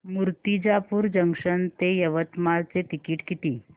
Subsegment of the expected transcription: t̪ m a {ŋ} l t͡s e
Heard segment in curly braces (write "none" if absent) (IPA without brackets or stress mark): none